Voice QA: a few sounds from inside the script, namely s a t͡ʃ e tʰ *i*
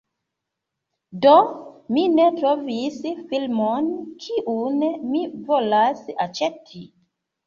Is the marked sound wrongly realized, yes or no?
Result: no